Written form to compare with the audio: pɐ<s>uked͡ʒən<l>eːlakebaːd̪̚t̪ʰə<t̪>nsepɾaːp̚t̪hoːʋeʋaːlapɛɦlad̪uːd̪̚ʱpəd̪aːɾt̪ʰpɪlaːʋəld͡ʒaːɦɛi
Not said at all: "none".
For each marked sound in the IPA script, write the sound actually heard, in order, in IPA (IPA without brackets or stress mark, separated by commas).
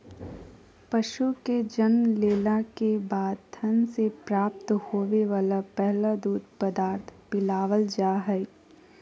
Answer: ʃ, l, none